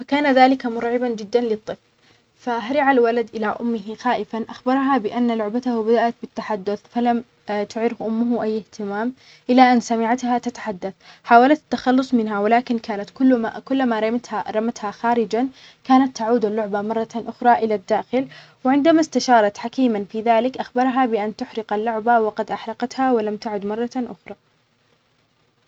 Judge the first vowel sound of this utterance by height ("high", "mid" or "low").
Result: low